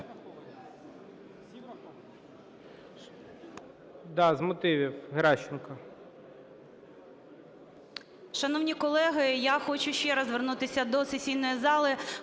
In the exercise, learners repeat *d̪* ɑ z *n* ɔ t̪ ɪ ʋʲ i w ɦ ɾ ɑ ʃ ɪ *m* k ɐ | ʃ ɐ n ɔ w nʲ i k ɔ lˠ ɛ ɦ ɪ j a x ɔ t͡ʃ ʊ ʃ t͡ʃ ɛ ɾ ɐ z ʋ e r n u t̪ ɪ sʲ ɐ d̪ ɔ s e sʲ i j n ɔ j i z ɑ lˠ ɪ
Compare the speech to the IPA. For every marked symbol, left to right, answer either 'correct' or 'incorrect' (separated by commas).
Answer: correct, incorrect, incorrect